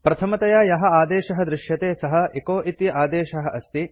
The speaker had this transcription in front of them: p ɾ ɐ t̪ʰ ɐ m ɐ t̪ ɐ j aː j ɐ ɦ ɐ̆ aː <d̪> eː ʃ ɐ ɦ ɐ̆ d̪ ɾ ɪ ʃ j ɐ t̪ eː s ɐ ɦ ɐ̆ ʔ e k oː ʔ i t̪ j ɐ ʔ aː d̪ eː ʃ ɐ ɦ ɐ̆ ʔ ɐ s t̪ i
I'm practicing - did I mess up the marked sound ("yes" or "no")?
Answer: no